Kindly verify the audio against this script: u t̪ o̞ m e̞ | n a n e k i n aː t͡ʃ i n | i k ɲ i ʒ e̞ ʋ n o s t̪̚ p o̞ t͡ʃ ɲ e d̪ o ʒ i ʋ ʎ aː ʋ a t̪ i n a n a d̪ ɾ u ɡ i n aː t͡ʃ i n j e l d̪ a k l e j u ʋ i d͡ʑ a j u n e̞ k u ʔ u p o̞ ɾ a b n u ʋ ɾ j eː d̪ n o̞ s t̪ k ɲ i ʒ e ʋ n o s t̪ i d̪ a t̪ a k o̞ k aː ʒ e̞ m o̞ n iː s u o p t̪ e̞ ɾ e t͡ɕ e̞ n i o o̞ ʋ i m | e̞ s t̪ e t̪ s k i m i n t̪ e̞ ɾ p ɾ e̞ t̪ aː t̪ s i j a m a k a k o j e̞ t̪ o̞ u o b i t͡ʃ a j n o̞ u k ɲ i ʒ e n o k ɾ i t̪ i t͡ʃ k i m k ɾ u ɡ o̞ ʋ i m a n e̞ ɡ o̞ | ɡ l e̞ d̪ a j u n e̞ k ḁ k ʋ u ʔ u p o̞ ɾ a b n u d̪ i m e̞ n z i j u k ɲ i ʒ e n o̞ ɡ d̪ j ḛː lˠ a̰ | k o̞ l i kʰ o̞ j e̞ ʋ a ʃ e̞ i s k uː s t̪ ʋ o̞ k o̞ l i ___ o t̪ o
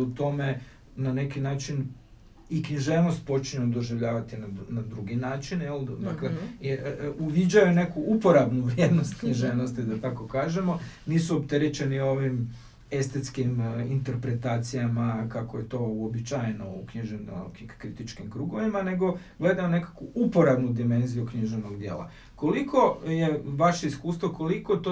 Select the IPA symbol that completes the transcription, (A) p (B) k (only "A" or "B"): B